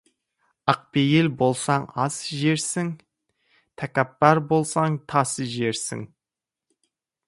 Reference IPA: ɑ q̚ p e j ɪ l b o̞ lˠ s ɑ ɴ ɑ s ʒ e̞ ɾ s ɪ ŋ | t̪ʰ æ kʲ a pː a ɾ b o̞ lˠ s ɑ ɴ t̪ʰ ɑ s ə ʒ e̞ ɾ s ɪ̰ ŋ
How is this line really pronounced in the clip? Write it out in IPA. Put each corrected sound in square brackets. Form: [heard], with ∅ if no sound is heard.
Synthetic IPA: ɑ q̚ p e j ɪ l b o̞ lˠ s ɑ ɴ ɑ s ʒ e̞ ɾ s ɪ ŋ | t̪ʰ æ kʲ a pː [ɑ] ɾ b o̞ lˠ s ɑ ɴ t̪ʰ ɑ s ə ʒ e̞ ɾ s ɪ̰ ŋ